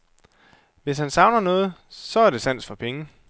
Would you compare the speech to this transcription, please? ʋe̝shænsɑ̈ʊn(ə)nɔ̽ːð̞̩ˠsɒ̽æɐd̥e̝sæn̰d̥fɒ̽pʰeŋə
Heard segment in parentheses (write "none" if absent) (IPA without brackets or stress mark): ɐ